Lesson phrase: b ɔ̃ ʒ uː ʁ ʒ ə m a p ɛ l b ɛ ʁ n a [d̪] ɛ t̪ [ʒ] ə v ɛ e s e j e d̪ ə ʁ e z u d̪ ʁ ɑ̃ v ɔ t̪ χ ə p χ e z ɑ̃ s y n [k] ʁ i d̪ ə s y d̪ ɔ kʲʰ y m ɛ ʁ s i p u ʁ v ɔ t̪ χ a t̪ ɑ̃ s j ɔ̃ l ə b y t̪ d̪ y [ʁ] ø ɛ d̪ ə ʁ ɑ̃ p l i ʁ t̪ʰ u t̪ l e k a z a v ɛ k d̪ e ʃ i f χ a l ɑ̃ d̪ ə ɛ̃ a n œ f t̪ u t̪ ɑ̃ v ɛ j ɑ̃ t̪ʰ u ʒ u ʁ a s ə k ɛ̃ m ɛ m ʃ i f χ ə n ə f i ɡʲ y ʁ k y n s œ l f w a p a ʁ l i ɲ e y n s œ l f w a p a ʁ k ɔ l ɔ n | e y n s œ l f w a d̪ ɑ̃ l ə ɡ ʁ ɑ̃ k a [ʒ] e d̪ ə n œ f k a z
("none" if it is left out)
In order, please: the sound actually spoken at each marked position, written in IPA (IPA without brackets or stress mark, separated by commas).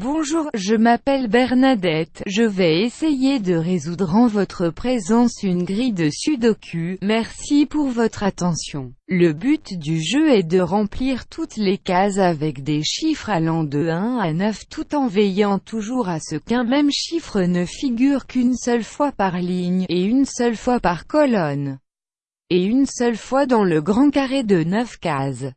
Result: d̪, ʒ, ɡ, ʒ, ʁ